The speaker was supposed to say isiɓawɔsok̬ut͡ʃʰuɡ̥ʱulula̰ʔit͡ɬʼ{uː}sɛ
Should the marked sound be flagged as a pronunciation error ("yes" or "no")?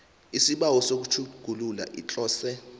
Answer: yes